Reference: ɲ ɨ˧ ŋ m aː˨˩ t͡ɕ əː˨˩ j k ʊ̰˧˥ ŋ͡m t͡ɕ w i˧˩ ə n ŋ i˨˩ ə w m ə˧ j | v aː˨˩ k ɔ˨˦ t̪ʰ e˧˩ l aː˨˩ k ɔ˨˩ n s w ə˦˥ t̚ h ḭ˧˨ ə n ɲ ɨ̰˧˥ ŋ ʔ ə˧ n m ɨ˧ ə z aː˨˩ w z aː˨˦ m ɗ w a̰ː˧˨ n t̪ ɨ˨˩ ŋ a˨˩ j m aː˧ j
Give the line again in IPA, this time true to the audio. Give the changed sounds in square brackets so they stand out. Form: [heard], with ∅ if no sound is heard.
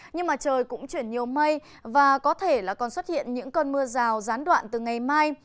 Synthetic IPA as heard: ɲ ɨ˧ ŋ m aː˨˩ t͡ɕ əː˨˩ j k ʊ̰˧˥ ŋ͡m t͡ɕ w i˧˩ ə n [ɲ] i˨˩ ə w m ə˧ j | v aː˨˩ k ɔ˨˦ t̪ʰ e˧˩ l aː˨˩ k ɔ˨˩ n s w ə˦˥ t̚ h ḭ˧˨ ə n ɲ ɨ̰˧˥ ŋ [k] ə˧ n m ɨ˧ ə z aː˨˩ w z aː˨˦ [n] ɗ w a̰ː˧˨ n t̪ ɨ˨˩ ŋ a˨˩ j m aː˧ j